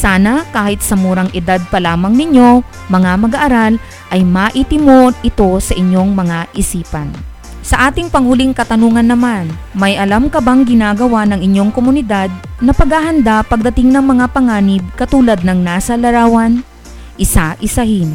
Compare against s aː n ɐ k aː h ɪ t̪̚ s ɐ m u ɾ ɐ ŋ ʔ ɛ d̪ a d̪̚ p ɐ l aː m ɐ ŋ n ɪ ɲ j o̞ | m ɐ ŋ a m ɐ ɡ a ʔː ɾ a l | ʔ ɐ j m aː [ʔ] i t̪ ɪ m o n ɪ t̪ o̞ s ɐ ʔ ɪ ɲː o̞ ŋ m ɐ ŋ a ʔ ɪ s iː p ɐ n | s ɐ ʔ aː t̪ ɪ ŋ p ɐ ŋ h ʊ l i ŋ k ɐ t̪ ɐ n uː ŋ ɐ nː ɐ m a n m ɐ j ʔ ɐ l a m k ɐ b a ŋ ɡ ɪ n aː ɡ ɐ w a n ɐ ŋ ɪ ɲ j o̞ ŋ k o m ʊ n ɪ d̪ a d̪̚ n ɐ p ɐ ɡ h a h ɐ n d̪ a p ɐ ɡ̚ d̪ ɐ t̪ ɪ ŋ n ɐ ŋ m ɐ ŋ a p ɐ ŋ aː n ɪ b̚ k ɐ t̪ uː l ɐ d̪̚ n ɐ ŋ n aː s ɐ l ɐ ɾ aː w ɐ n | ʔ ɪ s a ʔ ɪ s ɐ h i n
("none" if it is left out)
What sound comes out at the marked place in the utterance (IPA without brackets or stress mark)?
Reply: ʔ